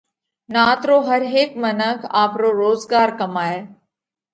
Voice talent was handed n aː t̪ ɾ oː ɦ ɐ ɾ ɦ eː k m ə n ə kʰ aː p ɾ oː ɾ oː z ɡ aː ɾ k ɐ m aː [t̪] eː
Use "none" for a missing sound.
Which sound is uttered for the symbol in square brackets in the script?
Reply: none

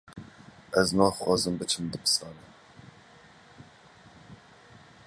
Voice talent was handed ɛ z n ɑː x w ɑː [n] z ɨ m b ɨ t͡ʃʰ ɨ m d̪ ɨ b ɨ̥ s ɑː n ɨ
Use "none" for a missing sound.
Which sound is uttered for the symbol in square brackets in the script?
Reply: none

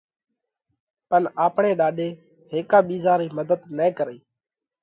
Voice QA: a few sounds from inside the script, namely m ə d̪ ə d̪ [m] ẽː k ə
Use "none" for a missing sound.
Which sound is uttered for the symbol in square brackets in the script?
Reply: n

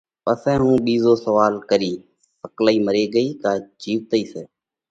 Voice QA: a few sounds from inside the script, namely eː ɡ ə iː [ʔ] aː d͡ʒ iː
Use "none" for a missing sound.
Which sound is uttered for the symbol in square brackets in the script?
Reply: k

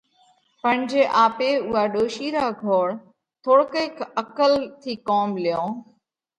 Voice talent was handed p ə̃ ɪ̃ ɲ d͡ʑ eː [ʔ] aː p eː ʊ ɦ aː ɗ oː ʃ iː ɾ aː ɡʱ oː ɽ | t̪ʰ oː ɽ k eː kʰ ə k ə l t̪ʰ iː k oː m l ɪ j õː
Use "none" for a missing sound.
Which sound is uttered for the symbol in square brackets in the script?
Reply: ʔ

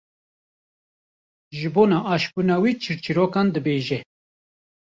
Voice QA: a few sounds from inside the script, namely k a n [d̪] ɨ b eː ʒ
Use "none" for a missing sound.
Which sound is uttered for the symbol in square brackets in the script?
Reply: d̪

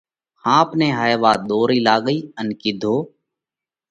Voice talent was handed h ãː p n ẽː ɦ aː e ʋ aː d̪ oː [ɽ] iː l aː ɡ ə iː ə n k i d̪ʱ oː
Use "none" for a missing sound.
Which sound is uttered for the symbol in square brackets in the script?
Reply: ɾ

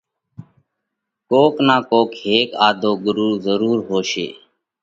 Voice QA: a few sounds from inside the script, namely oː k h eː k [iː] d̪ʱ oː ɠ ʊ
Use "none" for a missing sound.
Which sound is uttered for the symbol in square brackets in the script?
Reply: aː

